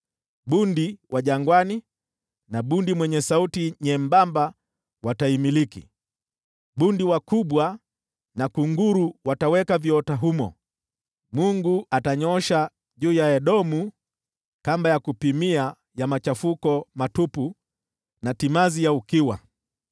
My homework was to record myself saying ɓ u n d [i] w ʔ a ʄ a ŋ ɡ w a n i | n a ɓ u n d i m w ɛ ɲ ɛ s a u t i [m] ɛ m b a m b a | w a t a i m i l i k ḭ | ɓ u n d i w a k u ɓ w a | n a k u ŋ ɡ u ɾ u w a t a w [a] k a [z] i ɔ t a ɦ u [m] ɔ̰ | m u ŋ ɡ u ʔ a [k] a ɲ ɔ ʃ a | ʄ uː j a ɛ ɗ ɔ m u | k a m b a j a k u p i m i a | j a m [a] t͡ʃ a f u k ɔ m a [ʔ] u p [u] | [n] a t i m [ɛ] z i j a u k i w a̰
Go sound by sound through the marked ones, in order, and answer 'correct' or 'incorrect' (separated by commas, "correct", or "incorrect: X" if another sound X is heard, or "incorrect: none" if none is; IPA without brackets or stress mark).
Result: correct, incorrect: ɲ, incorrect: ɛ, incorrect: v, correct, incorrect: t, correct, incorrect: t, correct, correct, incorrect: a